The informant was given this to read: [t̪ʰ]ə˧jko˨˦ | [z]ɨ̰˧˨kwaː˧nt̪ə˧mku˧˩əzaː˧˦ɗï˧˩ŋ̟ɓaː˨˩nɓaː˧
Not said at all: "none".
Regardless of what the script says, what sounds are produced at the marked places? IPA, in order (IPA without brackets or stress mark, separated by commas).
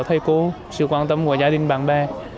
t̪ʰ, s